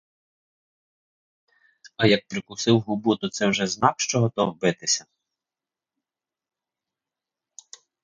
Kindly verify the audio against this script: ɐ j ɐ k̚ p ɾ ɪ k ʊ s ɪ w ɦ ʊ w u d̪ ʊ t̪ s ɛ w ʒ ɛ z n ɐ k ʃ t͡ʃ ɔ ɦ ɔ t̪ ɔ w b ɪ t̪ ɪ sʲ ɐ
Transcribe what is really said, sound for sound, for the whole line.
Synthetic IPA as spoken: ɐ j ɐ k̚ p ɾ ɪ k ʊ s ɪ w ɦ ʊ b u t̪ ʊ t̪ s ɛ w ʒ ɛ z n ɑ k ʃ t͡ʃ ɔ ɦ ɔ t̪ ɔ w b ɪ t̪ ɪ sʲ ɐ